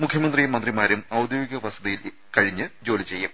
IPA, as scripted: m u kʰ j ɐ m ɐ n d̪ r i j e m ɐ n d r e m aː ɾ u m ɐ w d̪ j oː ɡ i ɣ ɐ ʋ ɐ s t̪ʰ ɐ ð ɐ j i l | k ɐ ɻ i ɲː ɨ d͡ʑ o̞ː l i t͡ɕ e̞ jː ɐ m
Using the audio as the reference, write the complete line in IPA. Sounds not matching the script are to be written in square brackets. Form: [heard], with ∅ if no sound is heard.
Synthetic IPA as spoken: m u kʰ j ɐ m ɐ n d̪ r i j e m ɐ n d r [i] m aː ɾ u m ɐ w d̪ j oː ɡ i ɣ ɐ ʋ ɐ s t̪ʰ ɐ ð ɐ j i l | k ɐ ɻ i ɲː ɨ d͡ʑ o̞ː l i t͡ɕ e̞ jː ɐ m

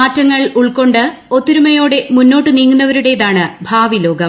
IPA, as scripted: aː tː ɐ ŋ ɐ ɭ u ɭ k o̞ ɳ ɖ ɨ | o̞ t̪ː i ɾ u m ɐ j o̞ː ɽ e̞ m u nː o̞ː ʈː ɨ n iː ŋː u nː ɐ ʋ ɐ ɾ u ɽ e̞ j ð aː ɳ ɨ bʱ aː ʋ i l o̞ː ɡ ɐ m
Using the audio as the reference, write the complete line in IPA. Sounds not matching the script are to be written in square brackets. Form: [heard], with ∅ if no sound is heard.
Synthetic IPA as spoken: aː tː ɐ [ŋː] ɐ ɭ u ɭ k o̞ ɳ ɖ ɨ | o̞ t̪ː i ɾ u m ɐ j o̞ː ɽ e̞ m u nː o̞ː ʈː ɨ n iː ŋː u nː ɐ ʋ ɐ ɾ u ɽ e̞ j ð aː ɳ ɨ bʱ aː ʋ i l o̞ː ɡ ɐ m

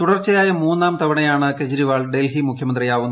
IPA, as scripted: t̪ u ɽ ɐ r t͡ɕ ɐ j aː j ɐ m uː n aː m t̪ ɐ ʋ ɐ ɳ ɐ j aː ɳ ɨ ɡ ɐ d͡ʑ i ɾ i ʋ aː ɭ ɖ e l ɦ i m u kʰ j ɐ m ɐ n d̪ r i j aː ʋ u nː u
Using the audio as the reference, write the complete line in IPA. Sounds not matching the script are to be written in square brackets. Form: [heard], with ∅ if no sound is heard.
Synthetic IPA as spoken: t̪ u ɽ ɐ r t͡ɕ ɐ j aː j ɐ m uː [nː] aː m t̪ ɐ ʋ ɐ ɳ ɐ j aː ɳ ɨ [k] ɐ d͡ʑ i ɾ i ʋ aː ɭ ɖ e l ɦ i m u kʰ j ɐ m ɐ n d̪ r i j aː ʋ u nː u

